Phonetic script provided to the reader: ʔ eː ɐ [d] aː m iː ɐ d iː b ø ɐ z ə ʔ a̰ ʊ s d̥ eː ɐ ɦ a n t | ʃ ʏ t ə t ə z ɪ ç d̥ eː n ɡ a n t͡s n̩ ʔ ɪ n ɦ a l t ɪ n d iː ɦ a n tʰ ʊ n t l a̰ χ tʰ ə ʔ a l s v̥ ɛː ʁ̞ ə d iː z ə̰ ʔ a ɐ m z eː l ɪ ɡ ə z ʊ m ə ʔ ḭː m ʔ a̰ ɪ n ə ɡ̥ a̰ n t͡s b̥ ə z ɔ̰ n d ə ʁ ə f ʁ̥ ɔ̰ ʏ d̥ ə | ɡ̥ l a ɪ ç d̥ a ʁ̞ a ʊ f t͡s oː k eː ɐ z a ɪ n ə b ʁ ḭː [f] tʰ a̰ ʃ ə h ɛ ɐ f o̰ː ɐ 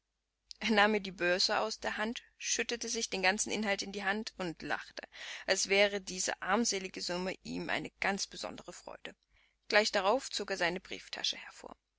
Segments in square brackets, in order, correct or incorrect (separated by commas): incorrect, correct